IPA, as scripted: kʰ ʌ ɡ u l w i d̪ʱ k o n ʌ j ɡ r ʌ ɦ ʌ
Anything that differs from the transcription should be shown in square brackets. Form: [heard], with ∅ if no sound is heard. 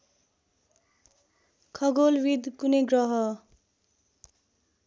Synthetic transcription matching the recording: kʰ ʌ ɡ [o] l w i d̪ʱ k [u] n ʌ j ɡ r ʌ ɦ ʌ